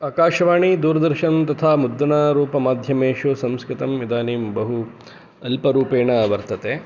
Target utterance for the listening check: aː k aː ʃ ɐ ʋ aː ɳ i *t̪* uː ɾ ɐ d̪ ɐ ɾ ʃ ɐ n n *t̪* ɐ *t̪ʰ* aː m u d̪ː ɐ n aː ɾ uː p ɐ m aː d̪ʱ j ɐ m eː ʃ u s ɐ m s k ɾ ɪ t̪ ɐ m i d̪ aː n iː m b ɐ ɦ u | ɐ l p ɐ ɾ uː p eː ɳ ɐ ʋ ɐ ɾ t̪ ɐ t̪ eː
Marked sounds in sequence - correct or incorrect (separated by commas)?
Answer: incorrect, correct, correct